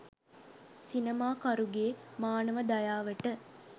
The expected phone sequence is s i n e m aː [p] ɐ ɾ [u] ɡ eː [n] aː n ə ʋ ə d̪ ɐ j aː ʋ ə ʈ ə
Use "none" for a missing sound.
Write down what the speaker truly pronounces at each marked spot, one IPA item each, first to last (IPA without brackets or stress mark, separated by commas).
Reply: k, u, m